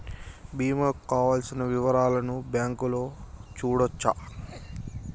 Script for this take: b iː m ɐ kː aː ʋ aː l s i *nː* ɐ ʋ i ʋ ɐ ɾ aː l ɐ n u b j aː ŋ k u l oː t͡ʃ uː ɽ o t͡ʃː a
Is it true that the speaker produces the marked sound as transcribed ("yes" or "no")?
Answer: no